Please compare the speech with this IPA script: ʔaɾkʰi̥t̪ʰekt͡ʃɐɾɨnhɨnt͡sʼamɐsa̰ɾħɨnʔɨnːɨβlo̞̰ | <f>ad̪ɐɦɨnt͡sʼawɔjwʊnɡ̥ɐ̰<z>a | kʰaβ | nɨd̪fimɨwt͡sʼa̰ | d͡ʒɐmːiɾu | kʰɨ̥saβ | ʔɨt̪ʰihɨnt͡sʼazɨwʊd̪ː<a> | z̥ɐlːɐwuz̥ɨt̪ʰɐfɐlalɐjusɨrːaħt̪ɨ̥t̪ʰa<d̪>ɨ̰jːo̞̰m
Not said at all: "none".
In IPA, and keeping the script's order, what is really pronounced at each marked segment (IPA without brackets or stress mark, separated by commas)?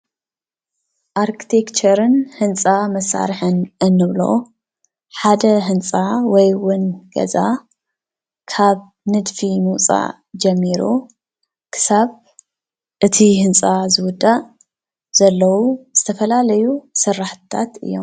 ħ, z, a, t̪